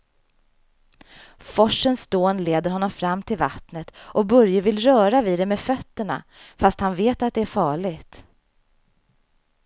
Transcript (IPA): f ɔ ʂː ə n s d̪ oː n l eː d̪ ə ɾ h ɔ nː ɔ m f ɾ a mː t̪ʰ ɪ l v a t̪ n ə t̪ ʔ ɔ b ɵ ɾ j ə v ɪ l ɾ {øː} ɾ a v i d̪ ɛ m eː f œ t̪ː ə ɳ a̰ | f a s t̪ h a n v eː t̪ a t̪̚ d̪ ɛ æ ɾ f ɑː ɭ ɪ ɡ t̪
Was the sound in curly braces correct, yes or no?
no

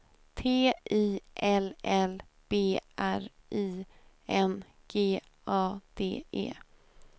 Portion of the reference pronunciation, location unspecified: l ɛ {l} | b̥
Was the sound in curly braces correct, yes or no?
yes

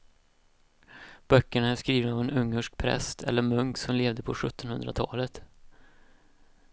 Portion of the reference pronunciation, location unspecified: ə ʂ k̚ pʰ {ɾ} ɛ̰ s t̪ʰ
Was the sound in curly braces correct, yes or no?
yes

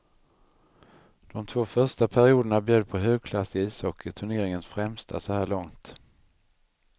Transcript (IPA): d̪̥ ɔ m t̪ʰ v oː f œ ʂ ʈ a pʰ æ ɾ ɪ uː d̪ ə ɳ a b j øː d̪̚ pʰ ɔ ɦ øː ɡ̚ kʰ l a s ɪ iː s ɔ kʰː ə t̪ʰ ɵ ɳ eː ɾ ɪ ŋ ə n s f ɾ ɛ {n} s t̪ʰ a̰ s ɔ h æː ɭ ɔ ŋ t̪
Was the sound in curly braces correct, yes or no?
no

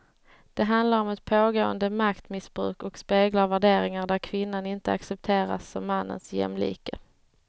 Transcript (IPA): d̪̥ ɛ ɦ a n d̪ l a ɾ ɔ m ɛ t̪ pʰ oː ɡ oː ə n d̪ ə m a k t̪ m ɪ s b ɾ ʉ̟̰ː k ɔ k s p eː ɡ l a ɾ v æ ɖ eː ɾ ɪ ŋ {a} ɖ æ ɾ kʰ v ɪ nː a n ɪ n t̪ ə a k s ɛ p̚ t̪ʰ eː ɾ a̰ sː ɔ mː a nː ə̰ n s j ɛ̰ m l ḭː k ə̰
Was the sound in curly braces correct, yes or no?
yes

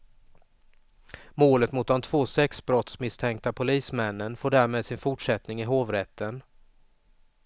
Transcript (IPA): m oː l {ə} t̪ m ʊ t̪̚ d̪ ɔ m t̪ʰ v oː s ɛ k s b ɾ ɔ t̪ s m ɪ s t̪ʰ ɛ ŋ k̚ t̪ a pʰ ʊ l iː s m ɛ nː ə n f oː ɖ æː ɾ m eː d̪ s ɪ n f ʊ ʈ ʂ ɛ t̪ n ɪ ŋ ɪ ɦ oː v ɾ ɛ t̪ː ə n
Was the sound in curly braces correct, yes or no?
yes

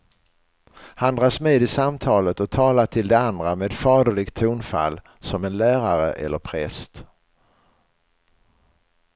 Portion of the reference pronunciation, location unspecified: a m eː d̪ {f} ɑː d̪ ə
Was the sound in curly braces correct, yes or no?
yes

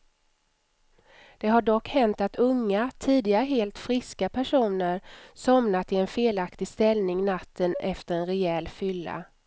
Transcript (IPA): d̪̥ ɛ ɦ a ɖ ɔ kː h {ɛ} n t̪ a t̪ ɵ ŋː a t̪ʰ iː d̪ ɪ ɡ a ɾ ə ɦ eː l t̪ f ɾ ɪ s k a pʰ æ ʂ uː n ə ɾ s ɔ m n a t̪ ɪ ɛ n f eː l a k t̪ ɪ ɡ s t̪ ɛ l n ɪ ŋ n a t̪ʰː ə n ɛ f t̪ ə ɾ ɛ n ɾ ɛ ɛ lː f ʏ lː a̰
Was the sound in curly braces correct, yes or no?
yes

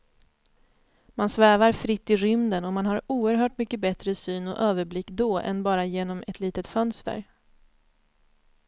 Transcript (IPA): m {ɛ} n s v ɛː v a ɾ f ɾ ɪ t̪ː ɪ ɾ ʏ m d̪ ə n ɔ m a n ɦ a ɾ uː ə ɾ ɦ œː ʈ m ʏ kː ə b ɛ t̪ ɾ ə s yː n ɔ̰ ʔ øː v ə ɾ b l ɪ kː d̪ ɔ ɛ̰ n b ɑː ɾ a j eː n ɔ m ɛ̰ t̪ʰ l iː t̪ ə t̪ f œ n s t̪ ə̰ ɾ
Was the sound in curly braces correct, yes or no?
no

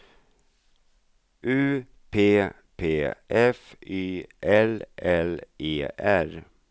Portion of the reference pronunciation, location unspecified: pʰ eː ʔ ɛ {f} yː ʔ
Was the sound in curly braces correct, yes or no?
yes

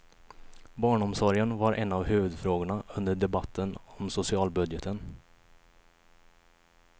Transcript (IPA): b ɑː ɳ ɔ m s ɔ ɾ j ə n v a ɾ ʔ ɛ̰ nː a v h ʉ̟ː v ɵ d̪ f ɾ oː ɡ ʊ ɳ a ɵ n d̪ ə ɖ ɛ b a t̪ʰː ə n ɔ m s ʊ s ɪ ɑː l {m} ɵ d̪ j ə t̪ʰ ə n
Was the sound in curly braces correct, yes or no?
no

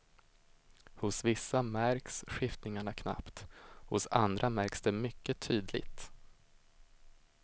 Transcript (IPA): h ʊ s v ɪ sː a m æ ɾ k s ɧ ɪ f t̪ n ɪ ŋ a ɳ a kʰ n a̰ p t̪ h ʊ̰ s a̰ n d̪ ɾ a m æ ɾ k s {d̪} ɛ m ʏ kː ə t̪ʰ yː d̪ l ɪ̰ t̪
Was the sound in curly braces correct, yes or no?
yes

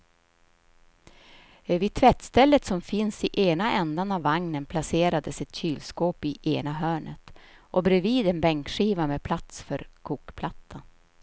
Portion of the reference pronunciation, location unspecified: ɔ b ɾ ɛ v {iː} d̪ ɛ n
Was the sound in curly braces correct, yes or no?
yes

